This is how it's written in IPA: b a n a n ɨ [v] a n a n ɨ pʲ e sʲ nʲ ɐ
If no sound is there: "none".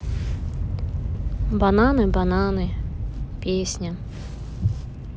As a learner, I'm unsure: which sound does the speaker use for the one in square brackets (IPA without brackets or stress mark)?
b